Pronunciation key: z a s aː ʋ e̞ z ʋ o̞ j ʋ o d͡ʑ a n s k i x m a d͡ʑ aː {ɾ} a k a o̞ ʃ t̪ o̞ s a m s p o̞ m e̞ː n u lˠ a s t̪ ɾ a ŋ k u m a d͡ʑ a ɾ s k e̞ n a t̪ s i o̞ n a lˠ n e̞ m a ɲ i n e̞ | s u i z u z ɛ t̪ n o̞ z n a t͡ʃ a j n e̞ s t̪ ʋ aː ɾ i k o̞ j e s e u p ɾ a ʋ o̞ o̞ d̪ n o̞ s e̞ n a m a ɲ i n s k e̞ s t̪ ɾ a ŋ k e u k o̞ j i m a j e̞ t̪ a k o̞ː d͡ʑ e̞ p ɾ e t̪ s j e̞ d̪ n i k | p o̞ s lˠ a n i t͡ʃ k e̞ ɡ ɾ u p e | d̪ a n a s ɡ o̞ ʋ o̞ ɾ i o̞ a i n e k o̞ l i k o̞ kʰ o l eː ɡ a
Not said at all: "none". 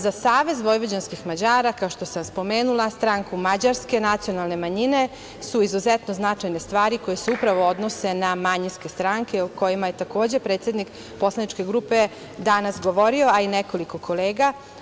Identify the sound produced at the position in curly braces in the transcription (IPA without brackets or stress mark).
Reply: ɾ